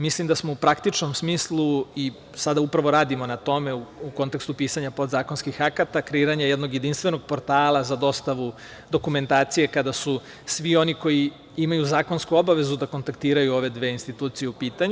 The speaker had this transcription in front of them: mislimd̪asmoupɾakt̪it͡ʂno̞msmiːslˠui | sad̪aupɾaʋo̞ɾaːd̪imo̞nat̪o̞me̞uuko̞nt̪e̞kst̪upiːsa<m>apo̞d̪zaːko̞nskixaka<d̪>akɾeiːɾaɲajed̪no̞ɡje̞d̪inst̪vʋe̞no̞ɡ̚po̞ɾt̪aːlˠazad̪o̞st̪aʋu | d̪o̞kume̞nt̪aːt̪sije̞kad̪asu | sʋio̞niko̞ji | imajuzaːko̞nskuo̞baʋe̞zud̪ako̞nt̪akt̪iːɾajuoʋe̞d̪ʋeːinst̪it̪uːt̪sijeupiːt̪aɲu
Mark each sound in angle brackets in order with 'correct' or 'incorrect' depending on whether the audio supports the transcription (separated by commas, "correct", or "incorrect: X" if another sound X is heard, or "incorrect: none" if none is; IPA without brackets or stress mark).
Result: incorrect: ɲ, incorrect: t̪